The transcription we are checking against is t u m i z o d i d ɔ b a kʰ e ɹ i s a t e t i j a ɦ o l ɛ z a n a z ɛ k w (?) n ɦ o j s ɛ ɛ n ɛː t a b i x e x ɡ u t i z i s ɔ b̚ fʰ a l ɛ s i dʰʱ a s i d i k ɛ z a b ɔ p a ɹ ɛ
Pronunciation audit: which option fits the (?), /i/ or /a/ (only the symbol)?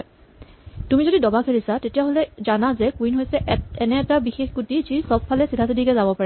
i